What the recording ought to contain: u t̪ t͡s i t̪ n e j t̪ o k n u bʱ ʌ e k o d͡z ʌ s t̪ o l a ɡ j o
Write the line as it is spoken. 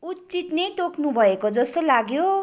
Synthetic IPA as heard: u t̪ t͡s i t̪ n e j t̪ o k n u bʱ ʌ e k o d͡z ʌ s t̪ o l a ɡ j o